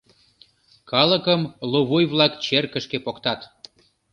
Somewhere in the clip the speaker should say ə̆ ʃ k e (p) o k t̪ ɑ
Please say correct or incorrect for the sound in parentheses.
correct